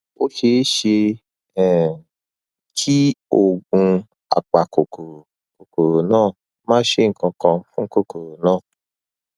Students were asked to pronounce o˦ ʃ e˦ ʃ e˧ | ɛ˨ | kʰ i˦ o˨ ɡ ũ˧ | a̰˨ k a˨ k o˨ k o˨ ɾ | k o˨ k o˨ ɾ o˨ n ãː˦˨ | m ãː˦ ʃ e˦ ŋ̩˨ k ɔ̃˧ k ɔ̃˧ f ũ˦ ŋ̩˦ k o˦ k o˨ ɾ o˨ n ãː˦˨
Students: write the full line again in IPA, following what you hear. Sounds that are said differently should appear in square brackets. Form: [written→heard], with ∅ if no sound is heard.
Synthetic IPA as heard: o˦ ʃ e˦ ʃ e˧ | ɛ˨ | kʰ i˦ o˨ ɡ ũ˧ | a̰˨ [k→k͡p] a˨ k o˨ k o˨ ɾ | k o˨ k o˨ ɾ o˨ n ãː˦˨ | m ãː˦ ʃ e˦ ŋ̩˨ k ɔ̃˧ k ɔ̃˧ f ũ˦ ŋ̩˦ k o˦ k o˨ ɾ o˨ n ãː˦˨

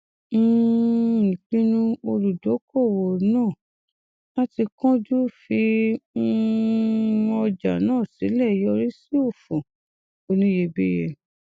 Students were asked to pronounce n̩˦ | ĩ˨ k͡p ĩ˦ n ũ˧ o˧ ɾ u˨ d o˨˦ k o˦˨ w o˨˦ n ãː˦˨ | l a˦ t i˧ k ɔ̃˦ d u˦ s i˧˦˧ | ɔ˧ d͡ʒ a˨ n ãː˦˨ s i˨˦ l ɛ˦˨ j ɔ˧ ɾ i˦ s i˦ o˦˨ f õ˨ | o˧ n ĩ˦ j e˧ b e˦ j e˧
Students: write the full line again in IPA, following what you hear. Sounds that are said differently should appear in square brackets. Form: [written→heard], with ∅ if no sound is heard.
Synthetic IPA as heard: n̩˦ | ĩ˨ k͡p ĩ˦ n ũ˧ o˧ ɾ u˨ d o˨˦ k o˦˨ w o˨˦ n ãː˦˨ | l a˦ t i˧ k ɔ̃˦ [d→d͡ʒ] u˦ [s→f] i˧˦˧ | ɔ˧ d͡ʒ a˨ n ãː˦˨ s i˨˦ l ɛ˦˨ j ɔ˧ ɾ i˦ s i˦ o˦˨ f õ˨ | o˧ n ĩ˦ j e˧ b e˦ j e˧

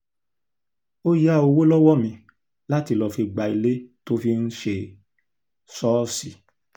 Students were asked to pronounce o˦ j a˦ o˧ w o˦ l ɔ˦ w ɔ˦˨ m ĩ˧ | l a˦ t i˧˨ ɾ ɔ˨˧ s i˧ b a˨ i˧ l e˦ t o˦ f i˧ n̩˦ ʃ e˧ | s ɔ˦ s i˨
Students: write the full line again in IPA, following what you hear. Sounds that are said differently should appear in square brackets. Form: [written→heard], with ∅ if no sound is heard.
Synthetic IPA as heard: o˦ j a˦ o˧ w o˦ l ɔ˦ w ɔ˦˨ m ĩ˧ | l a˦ t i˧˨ [ɾ→l] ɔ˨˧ [s→f] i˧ [b→ɡ͡b] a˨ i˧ l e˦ t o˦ f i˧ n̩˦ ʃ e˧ | s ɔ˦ s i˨

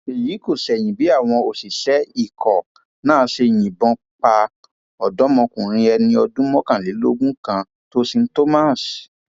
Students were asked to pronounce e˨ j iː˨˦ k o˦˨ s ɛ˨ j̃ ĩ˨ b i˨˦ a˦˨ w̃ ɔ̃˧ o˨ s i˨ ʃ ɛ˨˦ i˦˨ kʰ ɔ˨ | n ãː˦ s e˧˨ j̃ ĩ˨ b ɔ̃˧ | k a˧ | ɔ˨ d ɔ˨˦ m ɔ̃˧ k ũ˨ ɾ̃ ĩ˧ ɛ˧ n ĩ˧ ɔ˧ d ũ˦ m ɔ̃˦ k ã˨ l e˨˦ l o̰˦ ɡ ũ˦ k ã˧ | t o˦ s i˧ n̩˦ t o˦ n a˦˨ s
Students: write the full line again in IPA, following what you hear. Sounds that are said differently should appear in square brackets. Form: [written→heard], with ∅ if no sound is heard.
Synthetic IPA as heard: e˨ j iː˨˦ k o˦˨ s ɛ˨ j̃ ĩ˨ b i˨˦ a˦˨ w̃ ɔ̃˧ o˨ s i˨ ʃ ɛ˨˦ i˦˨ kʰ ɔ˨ | n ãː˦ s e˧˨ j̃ ĩ˨ b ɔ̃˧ | [k→k͡p] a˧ | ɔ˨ d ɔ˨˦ m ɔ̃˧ k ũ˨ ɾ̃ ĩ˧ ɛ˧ n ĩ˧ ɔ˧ d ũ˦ m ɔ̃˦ k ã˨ l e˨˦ l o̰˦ ɡ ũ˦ k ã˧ | t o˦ s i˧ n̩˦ t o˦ [n→m] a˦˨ s

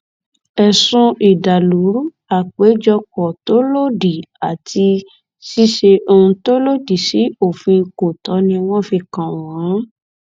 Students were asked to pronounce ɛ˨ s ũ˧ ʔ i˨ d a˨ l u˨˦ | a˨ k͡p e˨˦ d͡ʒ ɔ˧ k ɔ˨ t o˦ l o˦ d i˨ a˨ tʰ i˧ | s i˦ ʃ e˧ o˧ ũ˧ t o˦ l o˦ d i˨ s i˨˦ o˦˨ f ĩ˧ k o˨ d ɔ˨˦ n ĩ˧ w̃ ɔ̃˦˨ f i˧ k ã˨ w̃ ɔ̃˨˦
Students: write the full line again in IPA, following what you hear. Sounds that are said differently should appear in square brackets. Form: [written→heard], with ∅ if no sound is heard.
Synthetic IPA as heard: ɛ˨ s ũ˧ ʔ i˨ d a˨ l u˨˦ | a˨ k͡p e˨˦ d͡ʒ ɔ˧ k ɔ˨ t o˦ l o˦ d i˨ a˨ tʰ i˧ | s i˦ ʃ e˧ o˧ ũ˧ t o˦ l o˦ d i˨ s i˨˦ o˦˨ f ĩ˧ k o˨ [d→t] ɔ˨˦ n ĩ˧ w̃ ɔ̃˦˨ f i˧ k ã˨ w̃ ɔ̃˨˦

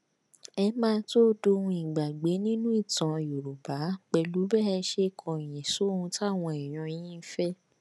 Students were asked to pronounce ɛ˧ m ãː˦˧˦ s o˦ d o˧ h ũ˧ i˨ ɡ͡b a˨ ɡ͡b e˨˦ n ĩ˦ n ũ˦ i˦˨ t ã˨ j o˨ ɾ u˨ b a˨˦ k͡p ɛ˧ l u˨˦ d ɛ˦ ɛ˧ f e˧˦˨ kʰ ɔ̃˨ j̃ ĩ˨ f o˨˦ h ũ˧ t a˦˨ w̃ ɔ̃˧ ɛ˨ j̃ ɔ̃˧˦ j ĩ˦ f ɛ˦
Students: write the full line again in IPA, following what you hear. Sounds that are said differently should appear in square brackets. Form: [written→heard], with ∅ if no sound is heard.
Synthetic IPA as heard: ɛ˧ m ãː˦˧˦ [s→t] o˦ d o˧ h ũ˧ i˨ ɡ͡b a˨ ɡ͡b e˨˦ n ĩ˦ n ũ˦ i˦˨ t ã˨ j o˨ ɾ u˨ b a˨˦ k͡p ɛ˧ l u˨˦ [d→b] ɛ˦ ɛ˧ [f→ʃ] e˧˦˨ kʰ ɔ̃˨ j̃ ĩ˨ [f→s] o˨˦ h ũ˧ t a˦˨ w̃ ɔ̃˧ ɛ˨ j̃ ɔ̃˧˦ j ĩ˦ f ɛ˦

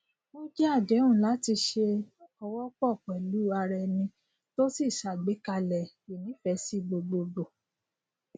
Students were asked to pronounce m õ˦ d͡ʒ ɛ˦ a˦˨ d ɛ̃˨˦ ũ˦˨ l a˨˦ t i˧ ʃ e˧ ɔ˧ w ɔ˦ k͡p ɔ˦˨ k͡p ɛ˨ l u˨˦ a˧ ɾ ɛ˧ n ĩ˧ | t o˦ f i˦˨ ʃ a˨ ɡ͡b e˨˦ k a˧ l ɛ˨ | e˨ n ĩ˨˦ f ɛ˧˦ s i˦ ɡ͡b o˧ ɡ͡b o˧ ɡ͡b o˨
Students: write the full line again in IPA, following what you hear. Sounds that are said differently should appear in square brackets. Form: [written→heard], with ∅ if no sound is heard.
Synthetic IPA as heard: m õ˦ d͡ʒ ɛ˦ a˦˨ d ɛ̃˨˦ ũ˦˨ l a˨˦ t i˧ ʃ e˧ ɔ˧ w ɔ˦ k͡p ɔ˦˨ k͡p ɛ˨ l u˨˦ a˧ ɾ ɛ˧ n ĩ˧ | t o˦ [f→s] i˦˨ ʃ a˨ ɡ͡b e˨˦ k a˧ l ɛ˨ | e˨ n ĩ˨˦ f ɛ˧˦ s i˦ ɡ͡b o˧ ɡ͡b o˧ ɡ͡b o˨

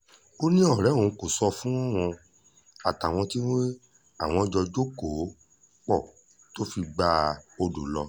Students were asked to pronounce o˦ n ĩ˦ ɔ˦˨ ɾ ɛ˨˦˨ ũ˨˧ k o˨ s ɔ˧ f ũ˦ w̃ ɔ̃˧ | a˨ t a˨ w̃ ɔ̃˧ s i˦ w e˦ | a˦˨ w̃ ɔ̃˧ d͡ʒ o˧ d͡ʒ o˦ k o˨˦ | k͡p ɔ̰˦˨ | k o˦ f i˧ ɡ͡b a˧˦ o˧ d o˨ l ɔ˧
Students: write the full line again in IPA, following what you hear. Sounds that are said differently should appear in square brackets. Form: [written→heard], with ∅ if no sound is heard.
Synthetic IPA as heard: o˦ n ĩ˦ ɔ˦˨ ɾ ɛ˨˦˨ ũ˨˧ k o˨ s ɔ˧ f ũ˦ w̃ ɔ̃˧ | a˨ t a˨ w̃ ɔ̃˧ [s→t] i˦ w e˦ | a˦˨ w̃ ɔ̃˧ d͡ʒ [o˧→ɔ˧] d͡ʒ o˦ k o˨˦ | k͡p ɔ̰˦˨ | [k→t] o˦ f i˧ ɡ͡b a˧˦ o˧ d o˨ l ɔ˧

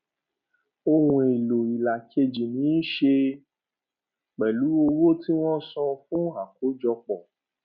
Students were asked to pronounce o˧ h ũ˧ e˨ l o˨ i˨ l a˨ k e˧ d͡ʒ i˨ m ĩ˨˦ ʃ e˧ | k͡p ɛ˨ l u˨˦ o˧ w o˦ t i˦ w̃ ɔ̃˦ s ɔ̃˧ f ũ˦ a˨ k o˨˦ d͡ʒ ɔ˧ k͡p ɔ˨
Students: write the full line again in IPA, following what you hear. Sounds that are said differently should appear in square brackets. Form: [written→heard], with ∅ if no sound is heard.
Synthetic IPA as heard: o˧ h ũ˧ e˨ l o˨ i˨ l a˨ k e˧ d͡ʒ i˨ [m→n] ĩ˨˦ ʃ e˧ | k͡p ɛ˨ l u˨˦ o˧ w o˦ t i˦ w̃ ɔ̃˦ s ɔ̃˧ f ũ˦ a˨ k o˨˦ d͡ʒ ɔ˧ k͡p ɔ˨

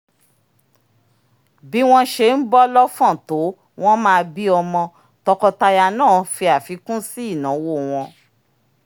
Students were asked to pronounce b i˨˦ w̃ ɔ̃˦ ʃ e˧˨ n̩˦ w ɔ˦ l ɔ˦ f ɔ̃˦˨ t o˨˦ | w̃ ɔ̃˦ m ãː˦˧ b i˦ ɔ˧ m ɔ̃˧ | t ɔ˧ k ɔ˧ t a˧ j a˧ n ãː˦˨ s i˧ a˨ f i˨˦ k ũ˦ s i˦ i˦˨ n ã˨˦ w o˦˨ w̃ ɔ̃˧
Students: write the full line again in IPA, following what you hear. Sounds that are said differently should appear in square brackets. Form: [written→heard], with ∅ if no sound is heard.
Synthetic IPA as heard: b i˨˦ w̃ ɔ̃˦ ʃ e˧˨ n̩˦ [w→b] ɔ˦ l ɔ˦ f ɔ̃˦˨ t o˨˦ | w̃ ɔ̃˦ m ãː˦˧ b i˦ ɔ˧ m ɔ̃˧ | t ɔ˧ k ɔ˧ t a˧ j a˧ n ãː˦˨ [s→f] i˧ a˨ f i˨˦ k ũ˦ s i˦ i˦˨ n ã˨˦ w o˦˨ w̃ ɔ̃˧

